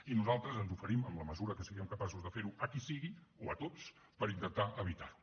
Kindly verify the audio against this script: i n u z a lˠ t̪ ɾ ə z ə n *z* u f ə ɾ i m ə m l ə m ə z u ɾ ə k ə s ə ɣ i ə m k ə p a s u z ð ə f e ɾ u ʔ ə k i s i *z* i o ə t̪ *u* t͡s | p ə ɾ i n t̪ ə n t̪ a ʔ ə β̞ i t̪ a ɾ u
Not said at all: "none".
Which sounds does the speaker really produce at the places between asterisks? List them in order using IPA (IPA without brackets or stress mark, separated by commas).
z, ɣ, o